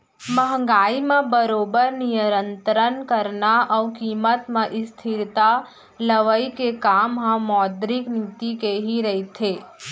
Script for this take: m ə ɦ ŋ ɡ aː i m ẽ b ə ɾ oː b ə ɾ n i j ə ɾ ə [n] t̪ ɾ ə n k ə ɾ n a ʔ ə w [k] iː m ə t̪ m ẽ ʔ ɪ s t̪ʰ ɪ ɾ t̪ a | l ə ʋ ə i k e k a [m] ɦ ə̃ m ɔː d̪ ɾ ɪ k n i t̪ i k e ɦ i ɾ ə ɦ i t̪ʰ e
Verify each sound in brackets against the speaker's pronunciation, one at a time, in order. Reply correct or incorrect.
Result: correct, correct, correct

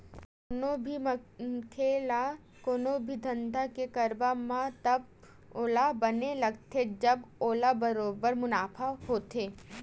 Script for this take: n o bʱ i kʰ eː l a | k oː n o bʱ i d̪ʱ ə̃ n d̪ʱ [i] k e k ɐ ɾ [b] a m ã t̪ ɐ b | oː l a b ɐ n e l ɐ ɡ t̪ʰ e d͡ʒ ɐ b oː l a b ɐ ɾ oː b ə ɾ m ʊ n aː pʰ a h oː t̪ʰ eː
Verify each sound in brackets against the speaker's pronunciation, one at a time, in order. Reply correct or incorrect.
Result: incorrect: a, correct

